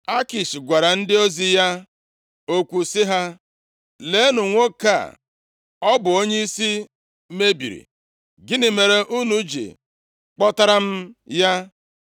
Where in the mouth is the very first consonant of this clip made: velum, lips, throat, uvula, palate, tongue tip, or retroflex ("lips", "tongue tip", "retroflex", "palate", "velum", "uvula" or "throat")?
velum